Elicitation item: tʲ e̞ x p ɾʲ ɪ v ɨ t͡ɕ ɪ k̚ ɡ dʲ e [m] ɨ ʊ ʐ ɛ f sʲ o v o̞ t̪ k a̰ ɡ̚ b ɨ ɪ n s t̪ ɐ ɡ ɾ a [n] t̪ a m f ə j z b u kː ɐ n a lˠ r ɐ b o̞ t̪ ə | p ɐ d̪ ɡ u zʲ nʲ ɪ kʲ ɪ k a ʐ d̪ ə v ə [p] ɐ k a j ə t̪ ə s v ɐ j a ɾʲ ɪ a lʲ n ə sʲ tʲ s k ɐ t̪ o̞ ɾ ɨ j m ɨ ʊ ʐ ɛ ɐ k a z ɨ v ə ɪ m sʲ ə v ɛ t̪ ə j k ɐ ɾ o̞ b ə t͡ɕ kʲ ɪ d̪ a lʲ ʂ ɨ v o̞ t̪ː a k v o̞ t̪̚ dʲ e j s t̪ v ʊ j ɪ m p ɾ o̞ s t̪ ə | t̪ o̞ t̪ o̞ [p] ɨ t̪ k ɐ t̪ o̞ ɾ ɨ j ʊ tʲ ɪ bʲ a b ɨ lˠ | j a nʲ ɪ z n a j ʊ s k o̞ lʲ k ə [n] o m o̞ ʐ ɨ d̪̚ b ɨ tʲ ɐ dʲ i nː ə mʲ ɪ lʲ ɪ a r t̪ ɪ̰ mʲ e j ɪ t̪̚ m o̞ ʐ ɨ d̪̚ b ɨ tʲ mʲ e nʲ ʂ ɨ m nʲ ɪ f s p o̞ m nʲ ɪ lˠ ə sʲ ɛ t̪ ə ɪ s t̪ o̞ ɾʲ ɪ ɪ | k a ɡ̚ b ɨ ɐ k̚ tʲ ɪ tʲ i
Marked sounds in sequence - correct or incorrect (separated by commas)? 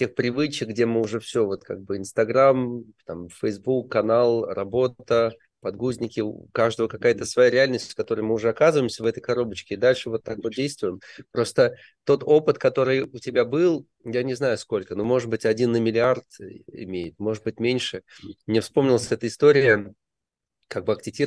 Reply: correct, incorrect, incorrect, correct, correct